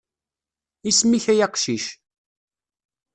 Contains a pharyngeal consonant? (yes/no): no